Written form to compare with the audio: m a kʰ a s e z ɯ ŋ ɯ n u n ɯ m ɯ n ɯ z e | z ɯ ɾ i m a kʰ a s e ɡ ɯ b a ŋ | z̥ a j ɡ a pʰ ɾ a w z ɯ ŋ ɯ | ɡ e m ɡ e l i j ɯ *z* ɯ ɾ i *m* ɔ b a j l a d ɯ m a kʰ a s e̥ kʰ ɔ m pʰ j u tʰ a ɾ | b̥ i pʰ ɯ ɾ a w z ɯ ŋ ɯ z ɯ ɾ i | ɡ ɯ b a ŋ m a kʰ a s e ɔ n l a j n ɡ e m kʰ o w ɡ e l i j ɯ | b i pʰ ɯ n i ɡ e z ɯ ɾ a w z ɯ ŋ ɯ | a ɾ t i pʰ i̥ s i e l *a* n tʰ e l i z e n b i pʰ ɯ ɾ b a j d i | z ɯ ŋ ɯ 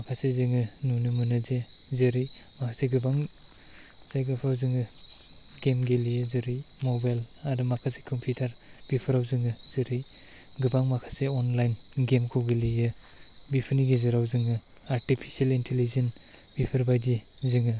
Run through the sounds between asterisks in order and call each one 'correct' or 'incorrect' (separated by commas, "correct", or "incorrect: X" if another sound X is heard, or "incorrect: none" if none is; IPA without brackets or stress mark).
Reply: correct, correct, incorrect: i